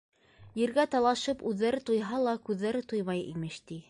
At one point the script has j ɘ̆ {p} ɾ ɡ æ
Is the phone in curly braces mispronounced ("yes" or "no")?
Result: yes